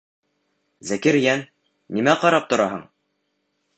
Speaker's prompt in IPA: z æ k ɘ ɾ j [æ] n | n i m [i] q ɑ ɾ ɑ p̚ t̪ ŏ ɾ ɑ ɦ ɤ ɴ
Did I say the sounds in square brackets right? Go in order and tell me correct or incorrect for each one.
correct, incorrect

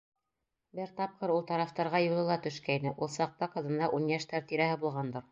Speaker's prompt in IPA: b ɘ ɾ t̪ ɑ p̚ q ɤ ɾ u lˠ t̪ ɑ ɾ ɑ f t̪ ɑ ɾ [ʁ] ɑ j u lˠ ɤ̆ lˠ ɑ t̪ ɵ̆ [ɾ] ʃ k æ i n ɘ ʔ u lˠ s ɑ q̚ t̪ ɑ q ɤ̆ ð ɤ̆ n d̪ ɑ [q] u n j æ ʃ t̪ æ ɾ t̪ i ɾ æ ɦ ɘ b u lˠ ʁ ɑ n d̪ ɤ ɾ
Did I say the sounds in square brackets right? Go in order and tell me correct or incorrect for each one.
correct, incorrect, incorrect

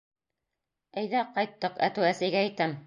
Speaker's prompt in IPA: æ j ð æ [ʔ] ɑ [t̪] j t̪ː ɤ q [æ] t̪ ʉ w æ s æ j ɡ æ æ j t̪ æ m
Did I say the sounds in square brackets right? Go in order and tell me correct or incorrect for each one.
incorrect, incorrect, correct

